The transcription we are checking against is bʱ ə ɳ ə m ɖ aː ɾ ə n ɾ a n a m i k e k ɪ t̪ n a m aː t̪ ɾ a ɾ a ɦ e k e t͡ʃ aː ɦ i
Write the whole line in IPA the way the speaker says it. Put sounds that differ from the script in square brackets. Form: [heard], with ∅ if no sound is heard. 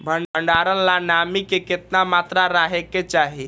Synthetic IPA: bʱ ə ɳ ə [ɳ] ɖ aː ɾ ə n [l] a n a m i k e k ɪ t̪ n a m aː t̪ ɾ a ɾ a ɦ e k e t͡ʃ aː ɦ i